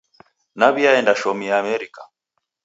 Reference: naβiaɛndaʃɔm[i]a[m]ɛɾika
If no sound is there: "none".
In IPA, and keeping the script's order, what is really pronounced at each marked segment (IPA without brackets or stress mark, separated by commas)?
i, m